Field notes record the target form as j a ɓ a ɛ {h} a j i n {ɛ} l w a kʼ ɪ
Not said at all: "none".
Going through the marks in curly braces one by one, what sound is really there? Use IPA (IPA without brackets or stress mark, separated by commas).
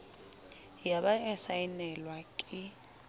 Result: s, ɛ